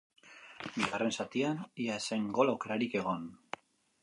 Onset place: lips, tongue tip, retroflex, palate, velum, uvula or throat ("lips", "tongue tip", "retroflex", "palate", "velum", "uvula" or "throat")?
lips